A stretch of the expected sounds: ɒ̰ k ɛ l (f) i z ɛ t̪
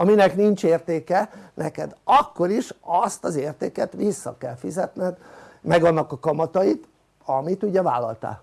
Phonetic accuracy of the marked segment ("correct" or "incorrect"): correct